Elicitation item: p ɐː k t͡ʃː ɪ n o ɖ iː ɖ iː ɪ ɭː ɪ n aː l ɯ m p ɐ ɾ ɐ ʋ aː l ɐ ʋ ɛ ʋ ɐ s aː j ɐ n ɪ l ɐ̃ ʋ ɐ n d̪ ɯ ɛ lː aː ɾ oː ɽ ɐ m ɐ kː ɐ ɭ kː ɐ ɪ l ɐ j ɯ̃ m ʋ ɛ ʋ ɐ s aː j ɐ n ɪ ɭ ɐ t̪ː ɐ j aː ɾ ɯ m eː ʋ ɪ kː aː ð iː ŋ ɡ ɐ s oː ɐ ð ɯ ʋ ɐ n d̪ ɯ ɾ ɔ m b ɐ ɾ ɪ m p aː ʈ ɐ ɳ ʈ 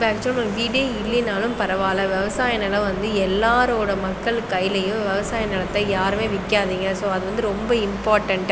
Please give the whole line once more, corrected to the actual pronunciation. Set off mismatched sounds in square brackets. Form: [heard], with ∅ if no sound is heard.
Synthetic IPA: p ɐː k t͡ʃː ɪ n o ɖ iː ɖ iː ɪ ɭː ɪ n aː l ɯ m p ɐ ɾ ɐ ʋ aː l ɐ ʋ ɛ ʋ ɐ s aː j ɐ n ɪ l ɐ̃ ʋ ɐ n d̪ ɯ ɛ lː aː ɾ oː ɽ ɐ m ɐ kː ɐ ɭ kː ɐ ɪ l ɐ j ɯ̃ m ʋ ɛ ʋ ɐ s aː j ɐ n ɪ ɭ ɐ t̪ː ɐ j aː ɾ ɯ m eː ʋ ɪ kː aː ð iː ŋ ɡ ɐ s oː ɐ ð ɯ ʋ ɐ n d̪ ɯ ɾ ɔ m b ɐ [∅] ɪ m p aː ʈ ɐ ɳ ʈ

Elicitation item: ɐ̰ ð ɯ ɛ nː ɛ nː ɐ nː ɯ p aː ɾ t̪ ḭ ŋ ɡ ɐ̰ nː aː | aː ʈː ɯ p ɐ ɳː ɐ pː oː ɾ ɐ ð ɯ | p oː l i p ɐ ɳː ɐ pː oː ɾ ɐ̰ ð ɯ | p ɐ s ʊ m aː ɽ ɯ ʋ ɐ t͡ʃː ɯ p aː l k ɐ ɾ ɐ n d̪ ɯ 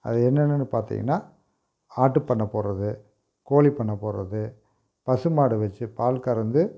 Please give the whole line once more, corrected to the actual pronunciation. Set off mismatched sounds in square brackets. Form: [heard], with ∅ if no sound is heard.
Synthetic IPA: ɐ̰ ð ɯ ɛ nː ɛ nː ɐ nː ɯ p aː ɾ t̪ ḭ ŋ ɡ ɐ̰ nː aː | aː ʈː ɯ p ɐ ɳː ɐ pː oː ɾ ɐ ð ɯ | [k] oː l i p ɐ ɳː ɐ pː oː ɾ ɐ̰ ð ɯ | p ɐ s [ɯ] m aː ɽ ɯ ʋ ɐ t͡ʃː ɯ p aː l k ɐ ɾ ɐ n d̪ ɯ

